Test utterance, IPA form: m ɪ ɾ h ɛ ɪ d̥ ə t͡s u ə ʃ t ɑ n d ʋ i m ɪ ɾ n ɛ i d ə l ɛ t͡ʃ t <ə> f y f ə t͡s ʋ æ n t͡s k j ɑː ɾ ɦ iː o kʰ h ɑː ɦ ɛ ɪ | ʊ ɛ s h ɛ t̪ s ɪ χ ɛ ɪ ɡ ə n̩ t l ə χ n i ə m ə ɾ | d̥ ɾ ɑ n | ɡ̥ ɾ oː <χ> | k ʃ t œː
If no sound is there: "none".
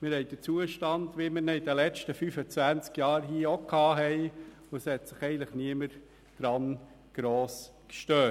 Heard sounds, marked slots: ə, s

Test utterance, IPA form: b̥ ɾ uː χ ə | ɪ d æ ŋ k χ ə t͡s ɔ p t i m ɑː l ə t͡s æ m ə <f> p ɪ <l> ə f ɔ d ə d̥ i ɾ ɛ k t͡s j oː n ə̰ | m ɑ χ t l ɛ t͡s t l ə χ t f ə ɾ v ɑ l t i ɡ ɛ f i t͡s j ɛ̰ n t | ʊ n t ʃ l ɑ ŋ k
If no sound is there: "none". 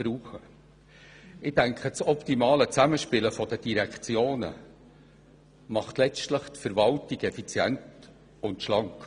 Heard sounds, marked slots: ʃ, l

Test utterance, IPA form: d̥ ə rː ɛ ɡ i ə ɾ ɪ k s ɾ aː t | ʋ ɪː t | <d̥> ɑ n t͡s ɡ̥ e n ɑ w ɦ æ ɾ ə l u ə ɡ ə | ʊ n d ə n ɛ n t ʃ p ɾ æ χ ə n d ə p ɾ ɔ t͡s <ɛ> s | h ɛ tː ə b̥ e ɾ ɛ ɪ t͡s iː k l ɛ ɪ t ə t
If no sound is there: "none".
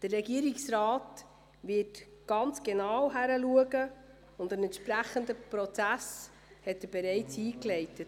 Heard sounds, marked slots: ɡ̥, æ

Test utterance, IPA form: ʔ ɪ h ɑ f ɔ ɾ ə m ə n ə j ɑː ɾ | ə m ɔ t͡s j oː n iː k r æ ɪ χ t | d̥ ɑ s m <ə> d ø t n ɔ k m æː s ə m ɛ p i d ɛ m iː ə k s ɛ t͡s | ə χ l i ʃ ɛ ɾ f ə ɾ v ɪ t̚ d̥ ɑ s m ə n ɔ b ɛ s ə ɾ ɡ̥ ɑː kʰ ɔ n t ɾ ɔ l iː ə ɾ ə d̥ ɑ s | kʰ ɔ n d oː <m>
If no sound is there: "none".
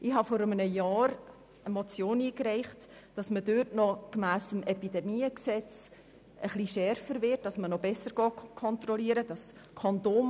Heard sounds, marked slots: ə, m

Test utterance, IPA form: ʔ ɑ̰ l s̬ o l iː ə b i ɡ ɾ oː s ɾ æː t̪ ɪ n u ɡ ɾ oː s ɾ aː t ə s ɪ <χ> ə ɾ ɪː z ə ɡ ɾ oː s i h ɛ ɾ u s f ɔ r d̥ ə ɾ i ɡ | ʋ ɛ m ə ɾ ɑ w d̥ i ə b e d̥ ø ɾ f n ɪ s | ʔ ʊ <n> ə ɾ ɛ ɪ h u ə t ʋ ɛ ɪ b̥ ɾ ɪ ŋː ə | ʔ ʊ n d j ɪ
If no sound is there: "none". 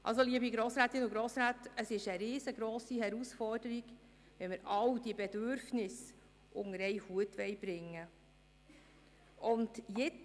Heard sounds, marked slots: ʃ, ŋ

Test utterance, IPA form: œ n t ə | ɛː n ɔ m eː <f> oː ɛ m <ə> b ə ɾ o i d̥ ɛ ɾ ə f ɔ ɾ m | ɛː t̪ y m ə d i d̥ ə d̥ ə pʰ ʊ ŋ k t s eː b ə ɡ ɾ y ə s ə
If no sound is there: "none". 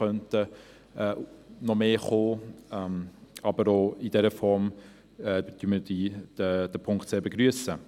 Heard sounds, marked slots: χ, ɑ

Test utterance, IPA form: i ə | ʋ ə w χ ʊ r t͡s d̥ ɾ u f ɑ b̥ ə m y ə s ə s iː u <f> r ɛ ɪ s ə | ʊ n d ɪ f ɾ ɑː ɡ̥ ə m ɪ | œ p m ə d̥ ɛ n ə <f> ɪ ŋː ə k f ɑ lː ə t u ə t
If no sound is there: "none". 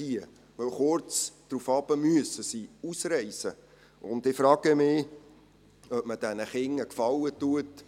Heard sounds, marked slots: s, χ

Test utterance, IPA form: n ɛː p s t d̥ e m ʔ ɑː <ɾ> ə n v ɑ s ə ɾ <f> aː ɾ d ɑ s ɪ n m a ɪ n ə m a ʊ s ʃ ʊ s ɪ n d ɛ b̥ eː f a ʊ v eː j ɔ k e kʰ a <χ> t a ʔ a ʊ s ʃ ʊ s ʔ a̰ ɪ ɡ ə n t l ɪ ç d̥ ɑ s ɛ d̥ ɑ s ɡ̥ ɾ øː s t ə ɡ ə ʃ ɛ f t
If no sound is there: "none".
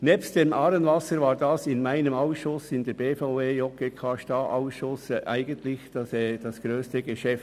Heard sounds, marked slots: ɾ, v, ʃ

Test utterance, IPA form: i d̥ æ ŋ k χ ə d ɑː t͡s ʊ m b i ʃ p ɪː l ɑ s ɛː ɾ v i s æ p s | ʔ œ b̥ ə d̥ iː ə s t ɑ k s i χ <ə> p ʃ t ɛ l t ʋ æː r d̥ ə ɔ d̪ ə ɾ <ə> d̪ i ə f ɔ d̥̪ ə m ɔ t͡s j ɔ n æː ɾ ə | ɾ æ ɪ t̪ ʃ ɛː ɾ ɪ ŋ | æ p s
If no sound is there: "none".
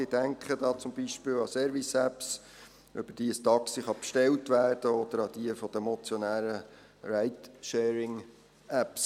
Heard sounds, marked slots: ɑ, ɑ

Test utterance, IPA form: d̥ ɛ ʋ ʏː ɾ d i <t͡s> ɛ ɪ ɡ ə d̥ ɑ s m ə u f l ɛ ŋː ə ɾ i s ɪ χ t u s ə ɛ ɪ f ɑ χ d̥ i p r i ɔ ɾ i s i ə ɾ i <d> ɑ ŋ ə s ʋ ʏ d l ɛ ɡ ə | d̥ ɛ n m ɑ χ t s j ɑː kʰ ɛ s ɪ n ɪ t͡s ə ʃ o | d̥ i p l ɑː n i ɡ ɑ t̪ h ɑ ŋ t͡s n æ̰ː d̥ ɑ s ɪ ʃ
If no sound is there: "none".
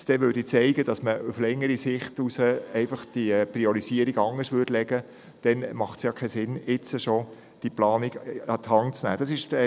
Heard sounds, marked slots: t͡s, ɡ

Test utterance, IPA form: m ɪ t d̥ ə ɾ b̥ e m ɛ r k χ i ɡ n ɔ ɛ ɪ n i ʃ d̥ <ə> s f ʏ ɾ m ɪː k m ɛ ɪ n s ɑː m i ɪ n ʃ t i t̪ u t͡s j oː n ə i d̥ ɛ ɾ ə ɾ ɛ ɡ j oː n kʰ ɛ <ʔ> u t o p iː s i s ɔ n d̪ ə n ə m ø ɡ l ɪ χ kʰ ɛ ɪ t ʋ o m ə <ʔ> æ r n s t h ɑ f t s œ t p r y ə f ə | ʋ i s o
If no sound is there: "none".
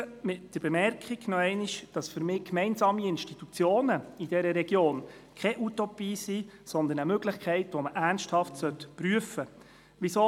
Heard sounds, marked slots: ɑ, ʔ, ʔ

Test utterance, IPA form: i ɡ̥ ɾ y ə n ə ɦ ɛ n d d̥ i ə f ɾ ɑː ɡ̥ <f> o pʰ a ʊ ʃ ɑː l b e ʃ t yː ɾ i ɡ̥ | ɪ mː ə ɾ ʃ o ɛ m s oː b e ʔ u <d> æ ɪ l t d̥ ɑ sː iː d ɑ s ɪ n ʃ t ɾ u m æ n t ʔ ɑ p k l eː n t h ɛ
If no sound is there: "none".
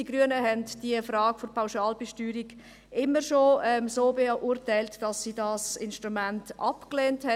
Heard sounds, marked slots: f, t

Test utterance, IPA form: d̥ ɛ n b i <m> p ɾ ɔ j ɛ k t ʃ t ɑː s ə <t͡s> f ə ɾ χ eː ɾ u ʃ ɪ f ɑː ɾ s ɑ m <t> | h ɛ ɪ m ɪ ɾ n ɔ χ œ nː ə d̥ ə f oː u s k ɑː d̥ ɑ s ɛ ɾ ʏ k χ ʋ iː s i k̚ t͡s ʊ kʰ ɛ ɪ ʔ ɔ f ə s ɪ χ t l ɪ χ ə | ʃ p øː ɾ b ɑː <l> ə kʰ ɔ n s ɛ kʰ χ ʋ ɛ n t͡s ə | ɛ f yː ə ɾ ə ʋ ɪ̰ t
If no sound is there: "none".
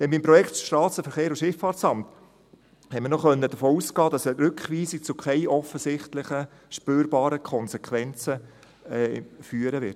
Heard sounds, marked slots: m, none, t, ɾ

